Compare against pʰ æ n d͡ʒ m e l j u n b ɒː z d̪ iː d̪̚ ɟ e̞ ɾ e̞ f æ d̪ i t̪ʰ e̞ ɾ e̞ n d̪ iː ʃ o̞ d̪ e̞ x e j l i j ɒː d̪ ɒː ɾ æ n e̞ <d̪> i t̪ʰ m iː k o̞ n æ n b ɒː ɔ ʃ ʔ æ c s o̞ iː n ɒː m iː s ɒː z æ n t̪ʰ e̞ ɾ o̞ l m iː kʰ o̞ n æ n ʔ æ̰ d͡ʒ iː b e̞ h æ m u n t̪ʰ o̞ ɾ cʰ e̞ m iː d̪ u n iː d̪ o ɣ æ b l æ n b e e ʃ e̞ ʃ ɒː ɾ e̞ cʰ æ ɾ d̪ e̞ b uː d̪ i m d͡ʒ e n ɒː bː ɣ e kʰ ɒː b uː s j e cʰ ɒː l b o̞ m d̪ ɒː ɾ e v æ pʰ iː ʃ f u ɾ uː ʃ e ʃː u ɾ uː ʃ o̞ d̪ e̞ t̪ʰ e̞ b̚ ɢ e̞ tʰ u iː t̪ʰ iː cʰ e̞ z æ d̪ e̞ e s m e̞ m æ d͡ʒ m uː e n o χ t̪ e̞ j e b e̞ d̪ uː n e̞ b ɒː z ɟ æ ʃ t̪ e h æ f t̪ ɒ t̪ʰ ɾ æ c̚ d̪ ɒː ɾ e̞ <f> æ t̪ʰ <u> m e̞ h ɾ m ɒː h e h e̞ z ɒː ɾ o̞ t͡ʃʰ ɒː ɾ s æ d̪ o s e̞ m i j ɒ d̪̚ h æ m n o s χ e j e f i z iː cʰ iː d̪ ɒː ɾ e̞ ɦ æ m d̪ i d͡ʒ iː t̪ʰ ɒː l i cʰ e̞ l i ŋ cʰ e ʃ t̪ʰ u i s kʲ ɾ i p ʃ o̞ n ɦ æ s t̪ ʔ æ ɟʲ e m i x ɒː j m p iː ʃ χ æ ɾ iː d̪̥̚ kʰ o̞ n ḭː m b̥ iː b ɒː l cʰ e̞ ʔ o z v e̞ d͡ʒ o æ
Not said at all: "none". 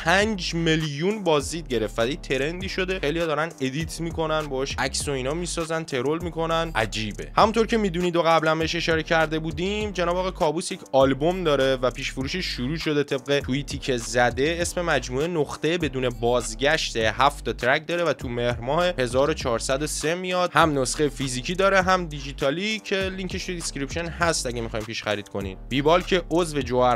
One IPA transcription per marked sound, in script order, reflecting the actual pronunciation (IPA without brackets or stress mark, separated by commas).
d̪, v, u